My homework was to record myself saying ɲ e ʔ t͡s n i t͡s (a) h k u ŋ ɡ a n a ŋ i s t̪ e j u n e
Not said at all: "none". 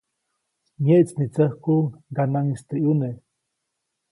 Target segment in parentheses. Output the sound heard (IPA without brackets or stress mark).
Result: ə